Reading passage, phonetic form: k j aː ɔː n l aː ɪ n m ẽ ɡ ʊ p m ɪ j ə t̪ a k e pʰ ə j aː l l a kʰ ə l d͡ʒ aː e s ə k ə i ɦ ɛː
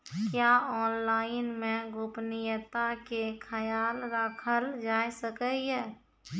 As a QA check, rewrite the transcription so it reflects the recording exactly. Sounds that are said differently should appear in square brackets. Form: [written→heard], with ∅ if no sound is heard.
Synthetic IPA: k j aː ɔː n l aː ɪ n m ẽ ɡ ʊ p [m→n] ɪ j ə t̪ a k e [pʰ→kʰ] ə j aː l [l→ɾ] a kʰ ə l d͡ʒ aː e s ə k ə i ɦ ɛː